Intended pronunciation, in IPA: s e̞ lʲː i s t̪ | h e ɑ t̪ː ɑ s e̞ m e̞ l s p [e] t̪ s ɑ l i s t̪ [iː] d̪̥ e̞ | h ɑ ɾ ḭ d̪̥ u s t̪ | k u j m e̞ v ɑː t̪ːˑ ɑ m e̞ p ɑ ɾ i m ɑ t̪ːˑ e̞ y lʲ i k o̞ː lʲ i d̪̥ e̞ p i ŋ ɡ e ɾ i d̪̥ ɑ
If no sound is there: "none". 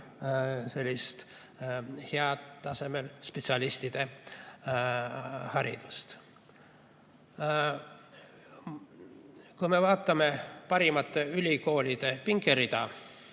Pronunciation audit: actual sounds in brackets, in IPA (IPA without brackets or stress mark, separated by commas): e, i